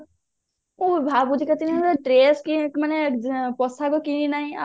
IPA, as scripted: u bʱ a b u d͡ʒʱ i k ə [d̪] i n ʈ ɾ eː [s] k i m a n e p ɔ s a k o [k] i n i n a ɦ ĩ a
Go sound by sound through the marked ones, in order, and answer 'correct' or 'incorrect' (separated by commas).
incorrect, correct, correct